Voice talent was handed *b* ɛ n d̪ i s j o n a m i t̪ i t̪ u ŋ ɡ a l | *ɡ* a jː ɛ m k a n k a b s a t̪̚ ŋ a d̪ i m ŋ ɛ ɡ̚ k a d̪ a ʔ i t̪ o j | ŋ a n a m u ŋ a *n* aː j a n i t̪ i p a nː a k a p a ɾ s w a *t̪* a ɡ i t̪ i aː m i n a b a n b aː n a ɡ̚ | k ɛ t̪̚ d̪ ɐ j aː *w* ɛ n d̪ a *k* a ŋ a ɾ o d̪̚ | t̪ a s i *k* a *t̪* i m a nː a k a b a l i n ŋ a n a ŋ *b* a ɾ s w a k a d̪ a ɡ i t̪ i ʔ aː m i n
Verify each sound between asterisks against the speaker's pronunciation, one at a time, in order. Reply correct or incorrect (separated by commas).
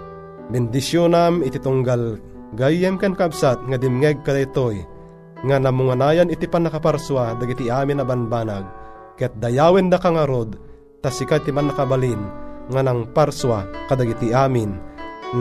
correct, correct, correct, incorrect, correct, correct, correct, correct, incorrect